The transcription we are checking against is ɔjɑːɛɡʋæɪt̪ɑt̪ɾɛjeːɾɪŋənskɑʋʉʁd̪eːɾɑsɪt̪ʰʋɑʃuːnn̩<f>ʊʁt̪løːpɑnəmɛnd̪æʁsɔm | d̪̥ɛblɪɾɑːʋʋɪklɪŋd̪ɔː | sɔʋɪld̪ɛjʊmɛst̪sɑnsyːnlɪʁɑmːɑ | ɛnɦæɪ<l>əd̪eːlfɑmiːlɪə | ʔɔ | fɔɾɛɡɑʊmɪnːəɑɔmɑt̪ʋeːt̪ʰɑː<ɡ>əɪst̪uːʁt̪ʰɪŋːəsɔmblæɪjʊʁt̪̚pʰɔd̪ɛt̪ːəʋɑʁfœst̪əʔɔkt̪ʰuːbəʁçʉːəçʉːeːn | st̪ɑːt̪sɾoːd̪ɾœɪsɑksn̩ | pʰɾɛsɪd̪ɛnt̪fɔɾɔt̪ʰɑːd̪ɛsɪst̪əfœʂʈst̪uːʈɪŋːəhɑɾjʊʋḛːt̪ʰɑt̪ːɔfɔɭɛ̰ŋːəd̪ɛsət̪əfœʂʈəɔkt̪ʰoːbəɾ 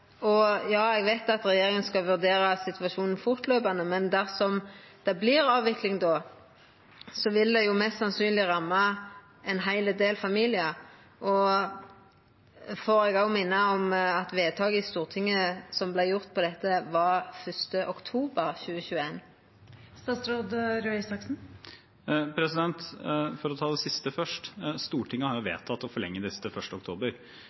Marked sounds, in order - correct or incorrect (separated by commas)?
correct, correct, correct